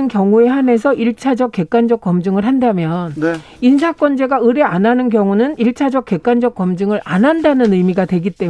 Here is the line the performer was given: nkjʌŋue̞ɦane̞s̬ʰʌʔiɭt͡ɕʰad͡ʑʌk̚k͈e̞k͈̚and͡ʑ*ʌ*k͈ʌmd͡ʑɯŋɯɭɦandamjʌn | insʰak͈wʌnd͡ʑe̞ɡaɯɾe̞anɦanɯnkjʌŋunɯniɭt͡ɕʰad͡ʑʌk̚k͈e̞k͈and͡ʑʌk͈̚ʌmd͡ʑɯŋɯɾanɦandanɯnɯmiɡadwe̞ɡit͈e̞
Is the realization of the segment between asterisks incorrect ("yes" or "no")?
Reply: no